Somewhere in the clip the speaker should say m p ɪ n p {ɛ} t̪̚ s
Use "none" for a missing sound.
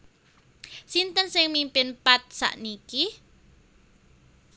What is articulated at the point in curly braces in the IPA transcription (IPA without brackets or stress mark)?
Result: a